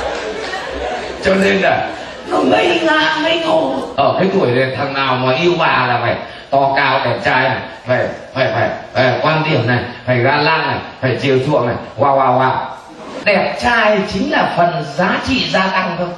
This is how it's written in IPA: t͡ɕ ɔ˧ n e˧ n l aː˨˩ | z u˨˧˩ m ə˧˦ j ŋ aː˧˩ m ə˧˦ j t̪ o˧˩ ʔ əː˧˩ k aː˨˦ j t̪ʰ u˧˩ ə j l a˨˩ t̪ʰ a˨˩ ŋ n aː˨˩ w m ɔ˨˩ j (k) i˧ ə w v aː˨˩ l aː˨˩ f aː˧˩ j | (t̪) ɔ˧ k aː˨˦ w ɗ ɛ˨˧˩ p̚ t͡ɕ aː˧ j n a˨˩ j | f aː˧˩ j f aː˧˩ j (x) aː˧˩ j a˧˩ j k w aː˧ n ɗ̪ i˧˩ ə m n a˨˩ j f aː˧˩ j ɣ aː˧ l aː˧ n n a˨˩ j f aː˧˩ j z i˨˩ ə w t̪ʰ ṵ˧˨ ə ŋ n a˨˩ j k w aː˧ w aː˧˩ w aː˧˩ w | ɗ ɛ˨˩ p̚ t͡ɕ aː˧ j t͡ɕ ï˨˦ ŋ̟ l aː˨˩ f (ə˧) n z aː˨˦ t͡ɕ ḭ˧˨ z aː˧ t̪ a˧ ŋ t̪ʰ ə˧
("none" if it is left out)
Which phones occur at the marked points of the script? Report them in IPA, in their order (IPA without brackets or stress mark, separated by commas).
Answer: ʔ, t̪, f, ə˨˩